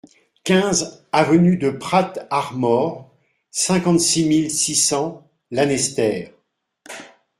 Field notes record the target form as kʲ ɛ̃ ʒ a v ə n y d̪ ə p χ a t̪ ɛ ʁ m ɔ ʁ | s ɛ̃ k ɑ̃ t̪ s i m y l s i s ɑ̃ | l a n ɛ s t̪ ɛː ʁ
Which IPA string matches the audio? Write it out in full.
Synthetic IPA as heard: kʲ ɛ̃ z a v ə n y d̪ ə p χ a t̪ a ʁ m ɔ ʁ | s ɛ̃ k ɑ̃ t̪ s i m i l s i s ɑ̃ | l a n ɛ s t̪ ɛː ʁ